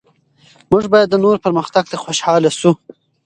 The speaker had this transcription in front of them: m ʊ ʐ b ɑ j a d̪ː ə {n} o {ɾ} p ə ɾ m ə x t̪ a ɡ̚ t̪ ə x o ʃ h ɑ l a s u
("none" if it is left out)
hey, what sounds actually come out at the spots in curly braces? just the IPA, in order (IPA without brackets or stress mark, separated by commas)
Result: n, ɾ